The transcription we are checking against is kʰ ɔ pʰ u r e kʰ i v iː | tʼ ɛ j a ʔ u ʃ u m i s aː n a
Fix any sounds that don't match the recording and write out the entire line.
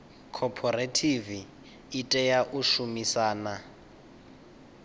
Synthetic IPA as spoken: kʰ ɔ pʰ ɔ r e tʰ i v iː | tʼ ɛ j a ʔ u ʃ u m i s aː n a